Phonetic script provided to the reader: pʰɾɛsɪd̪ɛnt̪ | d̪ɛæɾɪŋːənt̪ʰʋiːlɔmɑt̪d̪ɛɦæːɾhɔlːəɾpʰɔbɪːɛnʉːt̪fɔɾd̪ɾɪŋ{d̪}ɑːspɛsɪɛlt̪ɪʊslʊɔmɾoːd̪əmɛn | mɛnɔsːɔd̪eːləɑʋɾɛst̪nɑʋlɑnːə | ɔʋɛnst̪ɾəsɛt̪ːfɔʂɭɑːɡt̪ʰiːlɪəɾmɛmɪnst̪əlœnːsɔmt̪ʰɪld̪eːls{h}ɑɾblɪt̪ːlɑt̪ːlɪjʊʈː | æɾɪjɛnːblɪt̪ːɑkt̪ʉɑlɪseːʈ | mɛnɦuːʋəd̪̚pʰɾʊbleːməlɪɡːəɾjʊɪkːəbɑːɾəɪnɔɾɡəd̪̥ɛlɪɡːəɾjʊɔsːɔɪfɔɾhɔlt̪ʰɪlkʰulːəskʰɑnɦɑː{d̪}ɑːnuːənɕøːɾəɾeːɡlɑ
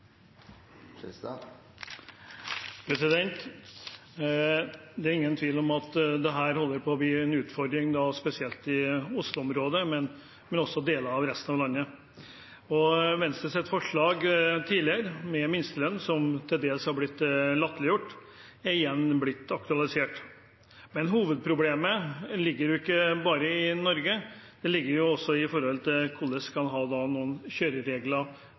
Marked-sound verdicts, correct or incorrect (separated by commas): correct, correct, correct